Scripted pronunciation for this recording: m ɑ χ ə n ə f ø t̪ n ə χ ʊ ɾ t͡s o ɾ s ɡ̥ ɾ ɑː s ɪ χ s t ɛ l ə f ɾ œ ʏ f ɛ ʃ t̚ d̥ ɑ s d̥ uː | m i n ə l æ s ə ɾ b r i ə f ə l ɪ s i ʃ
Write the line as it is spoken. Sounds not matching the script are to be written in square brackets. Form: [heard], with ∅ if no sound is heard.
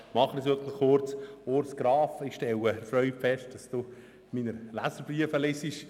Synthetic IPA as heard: m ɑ χ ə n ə [s] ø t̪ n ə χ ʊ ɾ t͡s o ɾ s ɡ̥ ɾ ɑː [f] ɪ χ [ʃ] t ɛ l ə f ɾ œ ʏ f ɛ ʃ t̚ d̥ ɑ s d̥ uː | m i n ə l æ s ə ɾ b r i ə f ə l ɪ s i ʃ